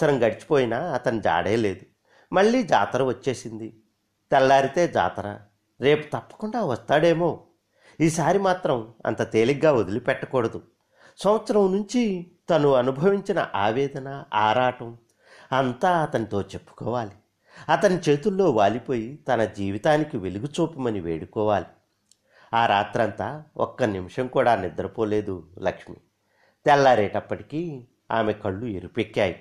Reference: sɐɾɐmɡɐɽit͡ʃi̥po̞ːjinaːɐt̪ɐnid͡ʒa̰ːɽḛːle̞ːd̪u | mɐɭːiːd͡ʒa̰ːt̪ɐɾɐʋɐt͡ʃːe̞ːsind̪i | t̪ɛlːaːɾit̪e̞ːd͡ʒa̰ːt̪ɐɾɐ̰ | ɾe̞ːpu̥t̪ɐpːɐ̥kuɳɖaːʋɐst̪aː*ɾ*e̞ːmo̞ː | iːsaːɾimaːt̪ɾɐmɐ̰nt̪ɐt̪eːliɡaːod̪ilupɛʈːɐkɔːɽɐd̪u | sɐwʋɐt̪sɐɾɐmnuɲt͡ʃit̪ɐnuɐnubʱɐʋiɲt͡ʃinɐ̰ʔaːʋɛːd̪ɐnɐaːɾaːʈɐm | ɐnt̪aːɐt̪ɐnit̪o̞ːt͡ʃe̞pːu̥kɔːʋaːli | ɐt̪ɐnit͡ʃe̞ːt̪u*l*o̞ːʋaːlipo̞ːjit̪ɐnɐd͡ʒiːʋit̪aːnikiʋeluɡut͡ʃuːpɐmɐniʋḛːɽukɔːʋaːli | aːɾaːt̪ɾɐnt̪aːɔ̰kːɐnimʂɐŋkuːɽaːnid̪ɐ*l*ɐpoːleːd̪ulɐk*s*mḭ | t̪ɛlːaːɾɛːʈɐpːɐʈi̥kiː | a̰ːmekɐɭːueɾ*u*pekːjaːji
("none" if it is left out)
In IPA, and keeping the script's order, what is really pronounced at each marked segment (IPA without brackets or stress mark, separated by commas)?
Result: ɽ, lː, ɾ, ʂ, u